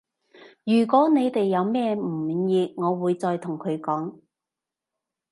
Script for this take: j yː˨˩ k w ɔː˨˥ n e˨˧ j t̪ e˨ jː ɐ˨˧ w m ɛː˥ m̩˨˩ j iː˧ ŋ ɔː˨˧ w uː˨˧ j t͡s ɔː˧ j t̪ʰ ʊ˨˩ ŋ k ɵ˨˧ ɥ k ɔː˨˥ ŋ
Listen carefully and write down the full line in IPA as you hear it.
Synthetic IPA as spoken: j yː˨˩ k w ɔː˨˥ n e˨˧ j t̪ e˨ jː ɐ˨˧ w m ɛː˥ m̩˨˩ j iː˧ ŋ ɔː˨˧ w uː˨˧ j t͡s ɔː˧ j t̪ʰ ʊ˨˩ ŋ kʰ ɵ˨˧ ɥ k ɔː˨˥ ŋ